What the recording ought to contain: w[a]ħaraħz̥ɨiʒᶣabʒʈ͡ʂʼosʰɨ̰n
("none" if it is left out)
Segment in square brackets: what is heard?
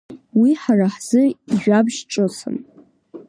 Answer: i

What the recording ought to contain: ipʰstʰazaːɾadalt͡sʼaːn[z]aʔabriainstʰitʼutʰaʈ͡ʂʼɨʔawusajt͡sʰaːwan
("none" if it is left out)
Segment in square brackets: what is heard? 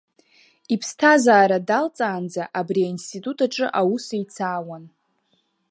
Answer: d͡z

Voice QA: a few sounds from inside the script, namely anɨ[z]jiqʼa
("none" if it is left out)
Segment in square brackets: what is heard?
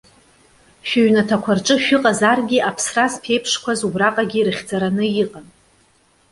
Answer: none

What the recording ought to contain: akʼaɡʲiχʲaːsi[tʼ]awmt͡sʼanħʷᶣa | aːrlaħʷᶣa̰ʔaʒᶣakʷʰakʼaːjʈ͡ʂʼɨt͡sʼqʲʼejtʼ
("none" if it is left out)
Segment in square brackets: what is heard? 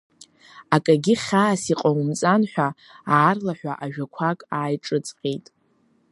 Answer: qʼ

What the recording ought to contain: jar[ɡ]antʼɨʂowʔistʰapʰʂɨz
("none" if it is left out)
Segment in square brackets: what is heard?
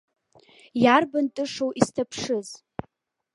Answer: b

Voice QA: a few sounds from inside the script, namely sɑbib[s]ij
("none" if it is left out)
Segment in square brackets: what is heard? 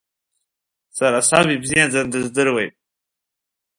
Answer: z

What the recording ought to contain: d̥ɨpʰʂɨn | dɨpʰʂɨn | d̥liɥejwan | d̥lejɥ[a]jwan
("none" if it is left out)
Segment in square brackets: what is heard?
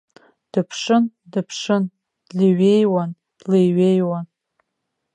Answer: e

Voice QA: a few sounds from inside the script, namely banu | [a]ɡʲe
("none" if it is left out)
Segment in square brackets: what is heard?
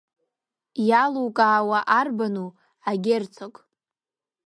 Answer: a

